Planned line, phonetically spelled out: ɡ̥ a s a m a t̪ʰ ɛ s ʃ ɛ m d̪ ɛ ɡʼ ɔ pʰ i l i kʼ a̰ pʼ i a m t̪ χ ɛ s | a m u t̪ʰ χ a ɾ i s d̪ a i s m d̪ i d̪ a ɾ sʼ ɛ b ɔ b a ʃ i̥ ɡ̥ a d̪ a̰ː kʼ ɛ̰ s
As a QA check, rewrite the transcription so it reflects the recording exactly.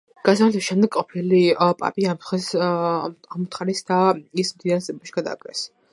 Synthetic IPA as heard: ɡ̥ a s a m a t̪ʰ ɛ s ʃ ɛ m d̪ ɛ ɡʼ ɔ pʰ i l i pʼ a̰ pʼ i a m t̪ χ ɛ s | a m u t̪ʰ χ a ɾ i s d̪ a i s m d̪ i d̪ a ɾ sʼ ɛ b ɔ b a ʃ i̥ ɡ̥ a d̪ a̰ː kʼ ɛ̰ s